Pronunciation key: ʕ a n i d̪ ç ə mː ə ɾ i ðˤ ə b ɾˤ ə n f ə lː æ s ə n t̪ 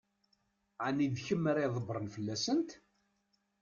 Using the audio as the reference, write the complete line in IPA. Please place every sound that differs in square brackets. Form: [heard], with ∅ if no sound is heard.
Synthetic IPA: ʕ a n i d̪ ç ə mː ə ɾ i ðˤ ə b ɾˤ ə n f ə lː æ s ə n t̪